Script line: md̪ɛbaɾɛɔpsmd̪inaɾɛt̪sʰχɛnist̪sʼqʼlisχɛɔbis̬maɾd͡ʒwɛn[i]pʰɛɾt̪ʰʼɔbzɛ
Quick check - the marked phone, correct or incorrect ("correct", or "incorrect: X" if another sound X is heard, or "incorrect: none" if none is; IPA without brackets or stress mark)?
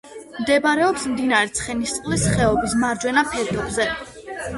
incorrect: a